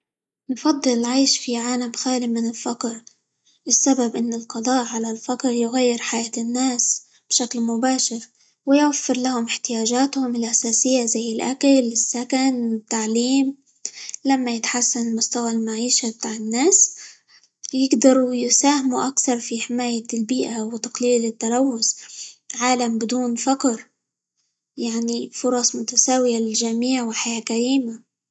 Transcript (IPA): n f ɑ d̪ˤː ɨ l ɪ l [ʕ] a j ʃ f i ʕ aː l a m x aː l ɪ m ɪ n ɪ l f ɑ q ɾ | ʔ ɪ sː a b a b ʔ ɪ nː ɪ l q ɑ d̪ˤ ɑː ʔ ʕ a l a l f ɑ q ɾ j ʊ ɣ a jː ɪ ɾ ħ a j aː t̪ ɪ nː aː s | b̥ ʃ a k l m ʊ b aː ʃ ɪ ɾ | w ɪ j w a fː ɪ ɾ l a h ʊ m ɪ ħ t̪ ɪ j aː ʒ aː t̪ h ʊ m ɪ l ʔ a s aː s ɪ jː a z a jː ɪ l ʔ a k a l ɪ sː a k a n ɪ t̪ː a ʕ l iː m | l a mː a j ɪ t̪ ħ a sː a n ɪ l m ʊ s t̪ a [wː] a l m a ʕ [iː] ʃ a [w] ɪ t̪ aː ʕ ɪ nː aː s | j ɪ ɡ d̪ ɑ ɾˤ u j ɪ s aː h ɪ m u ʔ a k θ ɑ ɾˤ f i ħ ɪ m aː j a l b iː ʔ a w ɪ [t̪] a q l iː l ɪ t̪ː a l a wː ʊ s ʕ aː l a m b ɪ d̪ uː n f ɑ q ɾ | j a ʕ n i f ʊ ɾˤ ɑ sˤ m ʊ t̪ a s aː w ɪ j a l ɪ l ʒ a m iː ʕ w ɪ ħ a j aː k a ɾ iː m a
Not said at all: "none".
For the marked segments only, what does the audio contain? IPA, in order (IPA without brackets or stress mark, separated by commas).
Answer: ʕ, w, iː, b, t̪